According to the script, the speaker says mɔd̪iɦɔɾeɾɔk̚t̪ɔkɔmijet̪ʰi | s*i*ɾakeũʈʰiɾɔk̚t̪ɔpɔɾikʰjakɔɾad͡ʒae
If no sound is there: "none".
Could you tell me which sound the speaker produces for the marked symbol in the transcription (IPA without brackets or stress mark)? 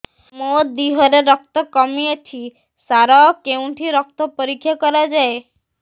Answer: a